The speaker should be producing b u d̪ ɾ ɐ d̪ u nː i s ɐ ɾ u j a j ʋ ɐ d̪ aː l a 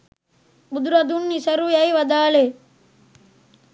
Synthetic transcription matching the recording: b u d̪ ɾ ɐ d̪ u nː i s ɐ ɾ u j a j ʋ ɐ d̪ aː l e